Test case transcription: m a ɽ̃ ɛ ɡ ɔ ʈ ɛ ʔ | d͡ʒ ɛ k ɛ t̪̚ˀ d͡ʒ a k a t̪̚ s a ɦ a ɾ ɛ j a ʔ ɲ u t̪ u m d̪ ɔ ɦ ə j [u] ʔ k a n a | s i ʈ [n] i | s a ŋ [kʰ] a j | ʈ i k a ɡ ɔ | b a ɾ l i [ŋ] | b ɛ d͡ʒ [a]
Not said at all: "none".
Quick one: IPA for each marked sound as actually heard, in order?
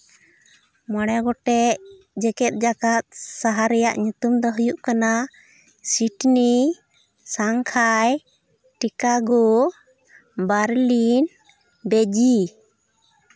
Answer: u, n, kʰ, n, i

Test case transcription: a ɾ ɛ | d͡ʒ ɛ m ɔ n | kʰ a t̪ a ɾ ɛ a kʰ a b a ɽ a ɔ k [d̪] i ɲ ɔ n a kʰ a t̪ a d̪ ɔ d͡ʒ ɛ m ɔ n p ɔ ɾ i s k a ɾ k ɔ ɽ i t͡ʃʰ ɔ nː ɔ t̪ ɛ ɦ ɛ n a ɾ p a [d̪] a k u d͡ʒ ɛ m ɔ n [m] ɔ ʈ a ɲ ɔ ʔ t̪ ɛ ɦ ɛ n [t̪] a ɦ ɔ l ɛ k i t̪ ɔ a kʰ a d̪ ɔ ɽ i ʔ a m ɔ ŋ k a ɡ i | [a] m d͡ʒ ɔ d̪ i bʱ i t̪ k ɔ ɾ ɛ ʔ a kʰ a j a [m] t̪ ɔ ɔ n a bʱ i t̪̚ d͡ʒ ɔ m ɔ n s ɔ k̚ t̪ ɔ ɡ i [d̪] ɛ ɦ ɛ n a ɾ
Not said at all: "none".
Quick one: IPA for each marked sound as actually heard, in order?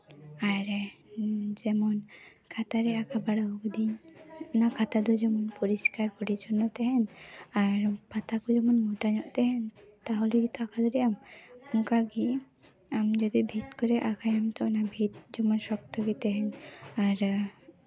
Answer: d̪, t̪, m, t̪, a, m, t̪

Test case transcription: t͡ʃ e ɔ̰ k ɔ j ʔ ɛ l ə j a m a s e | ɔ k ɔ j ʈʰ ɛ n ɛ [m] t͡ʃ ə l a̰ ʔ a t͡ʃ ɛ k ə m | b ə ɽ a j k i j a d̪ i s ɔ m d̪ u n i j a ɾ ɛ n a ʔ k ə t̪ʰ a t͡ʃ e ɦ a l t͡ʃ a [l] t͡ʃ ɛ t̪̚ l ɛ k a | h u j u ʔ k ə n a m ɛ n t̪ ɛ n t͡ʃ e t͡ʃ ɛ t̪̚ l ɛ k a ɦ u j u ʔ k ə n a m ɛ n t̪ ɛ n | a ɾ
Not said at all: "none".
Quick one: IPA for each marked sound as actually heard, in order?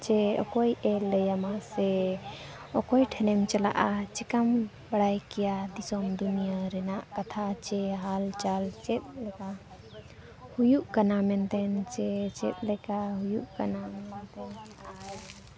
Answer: m, l

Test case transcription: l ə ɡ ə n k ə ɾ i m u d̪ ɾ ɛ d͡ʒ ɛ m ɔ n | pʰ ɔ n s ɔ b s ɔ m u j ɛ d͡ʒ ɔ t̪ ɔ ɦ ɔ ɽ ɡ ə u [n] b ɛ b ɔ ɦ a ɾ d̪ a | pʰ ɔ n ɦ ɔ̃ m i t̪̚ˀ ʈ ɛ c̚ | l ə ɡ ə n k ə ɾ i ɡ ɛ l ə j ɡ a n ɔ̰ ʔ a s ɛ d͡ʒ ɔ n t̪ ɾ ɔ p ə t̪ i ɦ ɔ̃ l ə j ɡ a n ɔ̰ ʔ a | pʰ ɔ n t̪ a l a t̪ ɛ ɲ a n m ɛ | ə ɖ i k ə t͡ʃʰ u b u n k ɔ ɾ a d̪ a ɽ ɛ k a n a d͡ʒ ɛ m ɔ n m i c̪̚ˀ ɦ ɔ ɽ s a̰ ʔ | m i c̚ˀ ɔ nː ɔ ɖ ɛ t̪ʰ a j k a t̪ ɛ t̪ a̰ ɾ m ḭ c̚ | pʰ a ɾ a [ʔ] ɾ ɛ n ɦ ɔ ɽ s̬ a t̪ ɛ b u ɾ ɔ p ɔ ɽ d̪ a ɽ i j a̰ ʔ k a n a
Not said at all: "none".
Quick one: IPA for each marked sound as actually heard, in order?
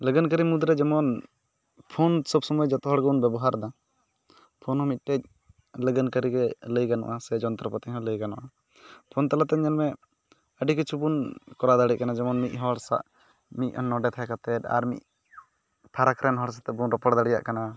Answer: n, k

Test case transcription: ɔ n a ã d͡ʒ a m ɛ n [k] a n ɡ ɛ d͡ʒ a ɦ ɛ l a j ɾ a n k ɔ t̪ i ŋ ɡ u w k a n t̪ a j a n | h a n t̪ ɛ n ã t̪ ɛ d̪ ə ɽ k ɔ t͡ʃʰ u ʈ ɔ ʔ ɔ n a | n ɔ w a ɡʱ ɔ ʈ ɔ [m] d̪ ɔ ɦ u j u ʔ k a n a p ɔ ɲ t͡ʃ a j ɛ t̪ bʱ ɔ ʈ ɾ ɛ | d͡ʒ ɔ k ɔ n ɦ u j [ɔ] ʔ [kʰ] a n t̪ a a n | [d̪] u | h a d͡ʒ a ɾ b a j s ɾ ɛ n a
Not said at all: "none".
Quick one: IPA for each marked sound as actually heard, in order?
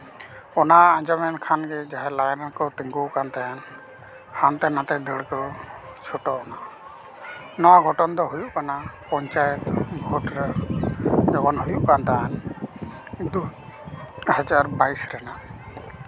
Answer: kʰ, n, u, k, d̪

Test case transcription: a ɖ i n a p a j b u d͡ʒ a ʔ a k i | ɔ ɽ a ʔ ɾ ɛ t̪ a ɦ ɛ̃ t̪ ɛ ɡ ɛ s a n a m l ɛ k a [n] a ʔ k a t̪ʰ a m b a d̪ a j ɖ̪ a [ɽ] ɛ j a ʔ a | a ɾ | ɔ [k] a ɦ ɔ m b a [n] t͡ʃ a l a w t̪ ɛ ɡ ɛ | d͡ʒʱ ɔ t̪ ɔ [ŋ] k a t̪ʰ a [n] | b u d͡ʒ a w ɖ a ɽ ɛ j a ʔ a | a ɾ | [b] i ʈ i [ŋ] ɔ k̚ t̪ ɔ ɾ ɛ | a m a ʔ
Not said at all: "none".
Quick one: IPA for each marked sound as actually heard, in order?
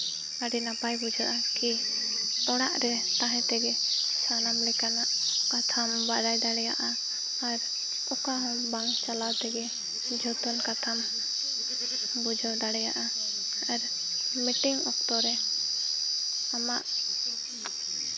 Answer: n, ɽ, k, ŋ, n, m, m, ŋ

